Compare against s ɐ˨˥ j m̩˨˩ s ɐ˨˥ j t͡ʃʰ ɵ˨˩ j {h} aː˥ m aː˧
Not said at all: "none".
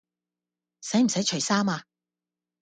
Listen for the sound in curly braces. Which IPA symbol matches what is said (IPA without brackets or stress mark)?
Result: s